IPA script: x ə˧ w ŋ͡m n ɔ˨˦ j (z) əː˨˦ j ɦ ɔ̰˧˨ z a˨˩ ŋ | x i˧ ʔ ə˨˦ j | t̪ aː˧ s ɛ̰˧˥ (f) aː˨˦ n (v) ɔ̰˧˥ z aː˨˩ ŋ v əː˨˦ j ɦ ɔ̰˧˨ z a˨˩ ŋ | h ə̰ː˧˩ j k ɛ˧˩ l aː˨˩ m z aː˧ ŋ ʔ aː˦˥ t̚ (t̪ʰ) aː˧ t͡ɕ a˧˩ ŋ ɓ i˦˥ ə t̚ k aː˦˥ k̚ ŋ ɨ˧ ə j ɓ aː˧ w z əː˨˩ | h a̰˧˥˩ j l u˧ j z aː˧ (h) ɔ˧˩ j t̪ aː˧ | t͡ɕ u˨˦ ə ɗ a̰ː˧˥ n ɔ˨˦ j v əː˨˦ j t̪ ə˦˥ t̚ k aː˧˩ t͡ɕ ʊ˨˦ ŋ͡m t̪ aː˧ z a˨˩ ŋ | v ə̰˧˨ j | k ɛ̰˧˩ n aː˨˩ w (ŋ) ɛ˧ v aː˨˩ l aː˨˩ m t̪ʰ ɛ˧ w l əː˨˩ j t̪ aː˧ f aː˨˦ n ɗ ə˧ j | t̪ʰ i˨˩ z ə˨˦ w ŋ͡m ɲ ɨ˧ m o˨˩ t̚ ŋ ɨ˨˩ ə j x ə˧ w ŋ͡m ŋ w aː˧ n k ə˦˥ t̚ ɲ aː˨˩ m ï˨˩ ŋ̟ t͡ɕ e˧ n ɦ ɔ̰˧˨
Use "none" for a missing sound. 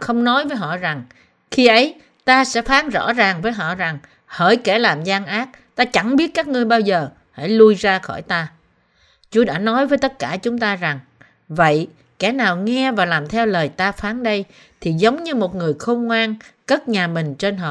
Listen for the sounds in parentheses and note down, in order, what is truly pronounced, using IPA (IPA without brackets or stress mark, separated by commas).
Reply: v, f, z, t̪, x, ŋ